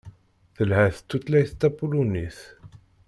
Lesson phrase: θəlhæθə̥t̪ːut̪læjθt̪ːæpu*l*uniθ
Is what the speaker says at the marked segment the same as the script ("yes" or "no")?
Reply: yes